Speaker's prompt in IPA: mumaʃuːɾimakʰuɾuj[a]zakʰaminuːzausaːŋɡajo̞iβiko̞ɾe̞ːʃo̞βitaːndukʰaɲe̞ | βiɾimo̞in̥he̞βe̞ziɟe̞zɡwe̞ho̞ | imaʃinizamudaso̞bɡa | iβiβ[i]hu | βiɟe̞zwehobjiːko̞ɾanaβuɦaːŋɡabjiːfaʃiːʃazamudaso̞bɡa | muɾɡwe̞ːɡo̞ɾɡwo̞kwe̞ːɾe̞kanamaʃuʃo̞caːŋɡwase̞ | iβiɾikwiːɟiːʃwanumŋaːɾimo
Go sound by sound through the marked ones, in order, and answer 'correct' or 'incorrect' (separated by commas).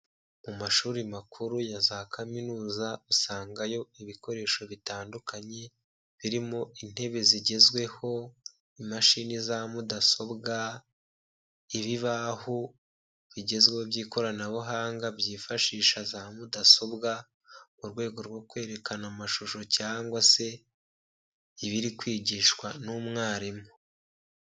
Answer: correct, incorrect